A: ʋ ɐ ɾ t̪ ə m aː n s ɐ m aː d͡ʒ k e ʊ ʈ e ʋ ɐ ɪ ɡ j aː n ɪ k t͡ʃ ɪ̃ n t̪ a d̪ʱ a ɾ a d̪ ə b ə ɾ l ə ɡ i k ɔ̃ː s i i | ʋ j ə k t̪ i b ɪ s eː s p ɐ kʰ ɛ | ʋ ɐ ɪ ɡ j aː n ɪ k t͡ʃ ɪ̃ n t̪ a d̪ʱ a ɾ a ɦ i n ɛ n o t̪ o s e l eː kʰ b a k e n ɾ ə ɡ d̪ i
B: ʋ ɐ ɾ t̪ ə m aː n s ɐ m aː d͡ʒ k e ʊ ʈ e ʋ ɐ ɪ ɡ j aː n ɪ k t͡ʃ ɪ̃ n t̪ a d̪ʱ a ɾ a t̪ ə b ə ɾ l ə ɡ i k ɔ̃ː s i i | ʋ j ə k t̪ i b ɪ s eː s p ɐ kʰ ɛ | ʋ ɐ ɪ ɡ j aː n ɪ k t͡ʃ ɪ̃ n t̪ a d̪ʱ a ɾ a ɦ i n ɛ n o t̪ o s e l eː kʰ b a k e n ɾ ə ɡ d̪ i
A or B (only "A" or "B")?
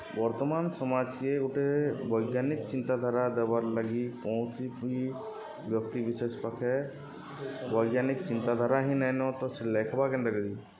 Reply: A